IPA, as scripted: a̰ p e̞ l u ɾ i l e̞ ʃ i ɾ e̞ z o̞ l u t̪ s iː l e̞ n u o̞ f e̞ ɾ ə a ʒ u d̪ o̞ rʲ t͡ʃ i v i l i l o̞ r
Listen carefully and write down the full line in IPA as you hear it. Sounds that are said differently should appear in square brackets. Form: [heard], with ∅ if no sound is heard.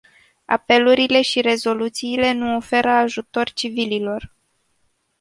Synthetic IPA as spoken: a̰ p e̞ l u ɾ i l e̞ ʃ i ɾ e̞ z o̞ l u t̪ s iː l e̞ n u o̞ f e̞ ɾ ə a ʒ u [t̪] o̞ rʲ t͡ʃ i v i l i l o̞ r